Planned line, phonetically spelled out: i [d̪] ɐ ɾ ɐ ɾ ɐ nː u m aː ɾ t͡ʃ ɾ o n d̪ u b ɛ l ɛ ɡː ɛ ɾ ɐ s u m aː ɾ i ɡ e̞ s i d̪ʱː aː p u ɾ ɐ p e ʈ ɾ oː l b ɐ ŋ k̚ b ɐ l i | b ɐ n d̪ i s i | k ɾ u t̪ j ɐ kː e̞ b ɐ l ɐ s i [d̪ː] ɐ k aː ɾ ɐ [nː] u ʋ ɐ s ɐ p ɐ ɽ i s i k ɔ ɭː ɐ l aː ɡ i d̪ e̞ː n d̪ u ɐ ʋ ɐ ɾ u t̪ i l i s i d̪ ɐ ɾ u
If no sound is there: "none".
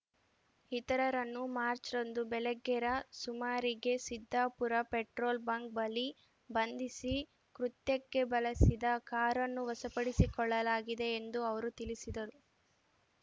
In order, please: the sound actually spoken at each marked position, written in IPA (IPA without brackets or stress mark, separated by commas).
t̪, d̪, nː